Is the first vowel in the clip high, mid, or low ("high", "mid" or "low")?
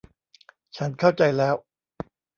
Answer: low